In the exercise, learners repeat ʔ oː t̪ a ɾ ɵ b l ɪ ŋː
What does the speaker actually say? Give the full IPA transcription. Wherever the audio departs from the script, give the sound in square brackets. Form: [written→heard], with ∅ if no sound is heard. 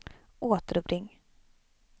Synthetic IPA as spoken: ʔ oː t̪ [a→ə] ɾ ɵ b [l→ɾ] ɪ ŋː